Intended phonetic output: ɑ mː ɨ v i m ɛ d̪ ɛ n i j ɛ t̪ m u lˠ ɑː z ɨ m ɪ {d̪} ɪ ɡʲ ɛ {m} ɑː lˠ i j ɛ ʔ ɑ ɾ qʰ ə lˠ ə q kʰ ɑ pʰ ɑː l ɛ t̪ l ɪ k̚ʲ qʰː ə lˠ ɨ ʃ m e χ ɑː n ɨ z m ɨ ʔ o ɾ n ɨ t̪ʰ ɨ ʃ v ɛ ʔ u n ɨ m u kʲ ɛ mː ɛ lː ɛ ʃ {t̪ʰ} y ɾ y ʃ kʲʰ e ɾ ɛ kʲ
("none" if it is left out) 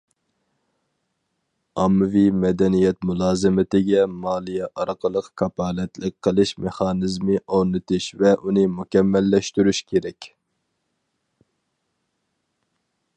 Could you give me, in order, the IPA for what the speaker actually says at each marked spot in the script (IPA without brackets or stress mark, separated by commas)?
t̪, m, t̪